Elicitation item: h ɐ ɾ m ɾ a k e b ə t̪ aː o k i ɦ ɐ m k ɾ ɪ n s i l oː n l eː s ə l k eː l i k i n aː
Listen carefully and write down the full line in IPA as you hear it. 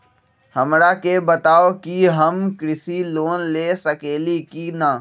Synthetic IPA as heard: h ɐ m ɾ a k e b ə t̪ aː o k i ɦ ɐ m k ɾ ɪ s i l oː n l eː s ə k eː l i k i n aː